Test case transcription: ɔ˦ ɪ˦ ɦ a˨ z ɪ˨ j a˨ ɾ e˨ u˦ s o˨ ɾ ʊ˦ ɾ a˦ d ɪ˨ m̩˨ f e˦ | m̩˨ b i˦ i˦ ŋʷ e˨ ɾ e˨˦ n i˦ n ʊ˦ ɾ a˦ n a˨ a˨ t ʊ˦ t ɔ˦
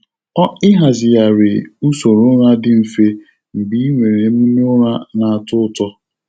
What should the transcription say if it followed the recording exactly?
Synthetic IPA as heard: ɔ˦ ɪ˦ ɦ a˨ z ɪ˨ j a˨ ɾ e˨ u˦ s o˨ ɾ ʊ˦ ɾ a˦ d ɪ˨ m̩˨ f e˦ | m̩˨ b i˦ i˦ ŋʷ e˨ ɾ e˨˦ m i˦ n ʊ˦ ɾ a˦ n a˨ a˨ t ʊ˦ t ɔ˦